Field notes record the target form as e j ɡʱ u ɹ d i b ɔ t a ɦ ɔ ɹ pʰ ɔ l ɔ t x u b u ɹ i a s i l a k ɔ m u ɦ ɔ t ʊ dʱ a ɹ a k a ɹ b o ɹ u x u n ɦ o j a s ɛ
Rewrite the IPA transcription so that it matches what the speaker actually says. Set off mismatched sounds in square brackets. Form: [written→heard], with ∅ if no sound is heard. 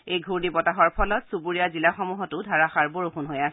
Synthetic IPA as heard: e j ɡʱ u ɹ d i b ɔ t a ɦ ɔ ɹ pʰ ɔ l ɔ t [x→s] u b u ɹ i a [s→z] i l a [k→x] ɔ m u ɦ ɔ t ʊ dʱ a ɹ a [k→x] a ɹ b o ɹ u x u n ɦ o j a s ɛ